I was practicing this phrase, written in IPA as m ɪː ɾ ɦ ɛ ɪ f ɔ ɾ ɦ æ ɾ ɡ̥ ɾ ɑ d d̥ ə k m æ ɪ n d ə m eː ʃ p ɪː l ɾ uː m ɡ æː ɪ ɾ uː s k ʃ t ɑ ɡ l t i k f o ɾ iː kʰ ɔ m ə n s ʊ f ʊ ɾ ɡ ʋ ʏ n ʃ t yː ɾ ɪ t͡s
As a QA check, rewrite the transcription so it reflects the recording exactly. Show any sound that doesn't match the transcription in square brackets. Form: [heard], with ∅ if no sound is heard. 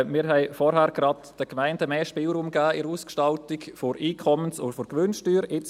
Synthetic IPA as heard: m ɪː ɾ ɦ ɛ ɪ f ɔ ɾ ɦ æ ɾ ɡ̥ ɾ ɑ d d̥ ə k m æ ɪ n d ə m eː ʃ p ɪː l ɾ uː m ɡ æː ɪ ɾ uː s k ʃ t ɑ [∅] l t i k f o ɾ iː kʰ ɔ m ə n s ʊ f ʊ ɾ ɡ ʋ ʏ n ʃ t yː ɾ ɪ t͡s